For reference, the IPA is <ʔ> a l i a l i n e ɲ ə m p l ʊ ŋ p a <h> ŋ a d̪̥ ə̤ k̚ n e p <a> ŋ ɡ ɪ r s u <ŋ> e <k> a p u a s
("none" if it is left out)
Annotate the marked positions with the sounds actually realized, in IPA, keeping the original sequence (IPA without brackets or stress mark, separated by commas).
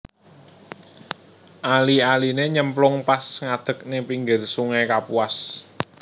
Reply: ʔ, s, i, ŋ, k